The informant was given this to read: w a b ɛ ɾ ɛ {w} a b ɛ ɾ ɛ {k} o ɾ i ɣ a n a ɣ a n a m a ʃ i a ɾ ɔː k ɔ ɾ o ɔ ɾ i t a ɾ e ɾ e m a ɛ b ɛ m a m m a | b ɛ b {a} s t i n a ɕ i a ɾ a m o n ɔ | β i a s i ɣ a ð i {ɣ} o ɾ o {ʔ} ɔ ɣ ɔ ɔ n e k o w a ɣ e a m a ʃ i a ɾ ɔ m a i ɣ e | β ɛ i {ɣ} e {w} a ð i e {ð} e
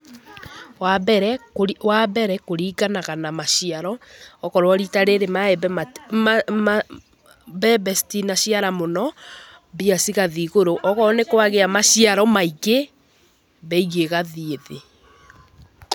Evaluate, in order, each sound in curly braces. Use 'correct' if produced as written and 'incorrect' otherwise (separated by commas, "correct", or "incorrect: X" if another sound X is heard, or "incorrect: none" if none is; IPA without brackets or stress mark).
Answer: correct, correct, incorrect: ɛ, correct, correct, correct, incorrect: ɣ, correct